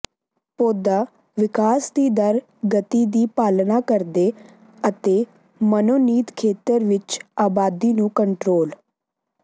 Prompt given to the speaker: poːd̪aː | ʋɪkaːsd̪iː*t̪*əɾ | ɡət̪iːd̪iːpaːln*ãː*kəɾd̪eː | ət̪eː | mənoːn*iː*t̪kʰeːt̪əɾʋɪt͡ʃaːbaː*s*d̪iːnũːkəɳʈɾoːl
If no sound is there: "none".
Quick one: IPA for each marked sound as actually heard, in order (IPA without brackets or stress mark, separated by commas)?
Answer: d̪, aː, iː, none